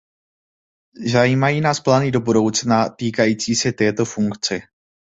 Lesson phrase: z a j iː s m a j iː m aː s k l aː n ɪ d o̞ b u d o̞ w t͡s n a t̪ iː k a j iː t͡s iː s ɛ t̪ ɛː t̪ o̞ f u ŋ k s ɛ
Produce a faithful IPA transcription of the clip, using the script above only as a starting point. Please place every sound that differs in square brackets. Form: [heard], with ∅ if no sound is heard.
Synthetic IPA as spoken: z a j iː [∅] m a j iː [n] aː s [p] l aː n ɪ d o̞ b u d o̞ w t͡s n a t̪ iː k a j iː t͡s iː s ɛ t̪ ɛː t̪ o̞ f u ŋ k [t͡s] ɛ